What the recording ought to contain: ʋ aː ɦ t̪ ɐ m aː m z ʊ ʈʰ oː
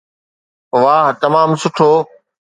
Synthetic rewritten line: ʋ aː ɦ t̪ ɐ m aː m s ʊ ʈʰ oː